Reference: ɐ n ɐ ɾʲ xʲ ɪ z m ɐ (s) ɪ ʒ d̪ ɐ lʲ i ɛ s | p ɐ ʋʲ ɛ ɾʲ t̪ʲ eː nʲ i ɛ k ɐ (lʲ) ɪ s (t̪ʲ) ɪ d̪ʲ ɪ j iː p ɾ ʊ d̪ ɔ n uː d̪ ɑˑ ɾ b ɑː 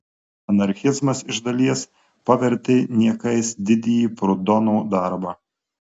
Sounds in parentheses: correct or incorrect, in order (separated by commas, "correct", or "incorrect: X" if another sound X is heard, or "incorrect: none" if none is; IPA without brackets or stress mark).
correct, incorrect: none, incorrect: d̪ʲ